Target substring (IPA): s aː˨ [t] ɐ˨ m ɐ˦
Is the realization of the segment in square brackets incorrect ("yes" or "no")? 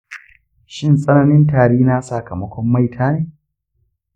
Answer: yes